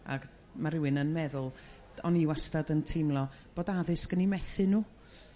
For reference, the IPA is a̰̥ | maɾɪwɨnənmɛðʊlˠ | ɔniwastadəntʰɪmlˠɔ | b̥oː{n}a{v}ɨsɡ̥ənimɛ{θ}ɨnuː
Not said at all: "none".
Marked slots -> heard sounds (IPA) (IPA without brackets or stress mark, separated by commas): d, ð, θ